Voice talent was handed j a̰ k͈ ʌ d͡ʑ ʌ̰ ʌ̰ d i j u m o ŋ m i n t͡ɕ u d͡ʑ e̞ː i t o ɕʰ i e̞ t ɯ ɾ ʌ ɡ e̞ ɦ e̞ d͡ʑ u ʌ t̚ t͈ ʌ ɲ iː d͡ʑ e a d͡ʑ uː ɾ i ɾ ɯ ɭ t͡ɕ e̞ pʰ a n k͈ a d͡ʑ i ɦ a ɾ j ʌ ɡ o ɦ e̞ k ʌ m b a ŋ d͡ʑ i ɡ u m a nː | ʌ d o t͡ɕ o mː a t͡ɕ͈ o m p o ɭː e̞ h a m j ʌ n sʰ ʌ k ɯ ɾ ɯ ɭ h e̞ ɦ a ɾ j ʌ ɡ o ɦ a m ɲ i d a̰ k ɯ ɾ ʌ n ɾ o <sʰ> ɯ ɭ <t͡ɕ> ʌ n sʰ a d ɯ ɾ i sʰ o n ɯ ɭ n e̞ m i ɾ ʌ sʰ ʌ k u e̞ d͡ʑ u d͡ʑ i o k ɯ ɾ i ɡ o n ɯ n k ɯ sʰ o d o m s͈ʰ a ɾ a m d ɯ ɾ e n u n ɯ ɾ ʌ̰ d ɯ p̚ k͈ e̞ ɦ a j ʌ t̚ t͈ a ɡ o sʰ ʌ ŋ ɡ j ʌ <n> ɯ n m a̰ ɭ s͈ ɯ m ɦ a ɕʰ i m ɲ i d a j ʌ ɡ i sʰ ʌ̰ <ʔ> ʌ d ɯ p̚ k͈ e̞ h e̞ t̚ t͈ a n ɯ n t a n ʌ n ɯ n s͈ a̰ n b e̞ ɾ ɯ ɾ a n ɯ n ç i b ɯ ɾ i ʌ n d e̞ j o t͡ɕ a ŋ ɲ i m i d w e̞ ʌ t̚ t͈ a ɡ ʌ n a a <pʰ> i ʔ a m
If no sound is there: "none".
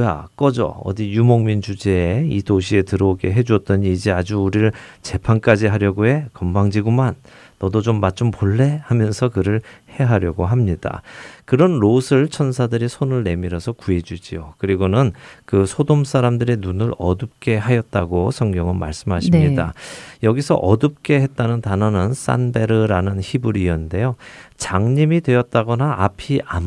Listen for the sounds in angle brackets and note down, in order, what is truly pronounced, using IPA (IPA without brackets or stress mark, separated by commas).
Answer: sʰ, t͡ɕʰ, ŋ, ʔ, pʰ